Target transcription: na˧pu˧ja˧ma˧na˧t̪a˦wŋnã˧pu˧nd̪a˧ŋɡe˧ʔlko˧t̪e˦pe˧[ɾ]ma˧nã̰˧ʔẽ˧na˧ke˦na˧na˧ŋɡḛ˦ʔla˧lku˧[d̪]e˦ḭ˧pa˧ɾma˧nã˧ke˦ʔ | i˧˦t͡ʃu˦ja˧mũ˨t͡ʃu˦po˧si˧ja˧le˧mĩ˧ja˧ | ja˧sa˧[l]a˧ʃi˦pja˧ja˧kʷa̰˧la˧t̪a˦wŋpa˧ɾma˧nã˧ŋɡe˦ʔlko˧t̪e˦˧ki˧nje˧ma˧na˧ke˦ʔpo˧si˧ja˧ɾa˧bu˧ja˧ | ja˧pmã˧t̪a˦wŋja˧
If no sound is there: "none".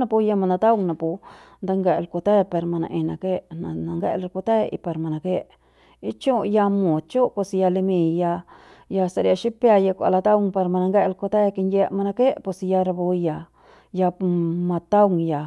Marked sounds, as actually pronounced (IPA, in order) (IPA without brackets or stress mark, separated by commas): ɾ, t̪, ɾ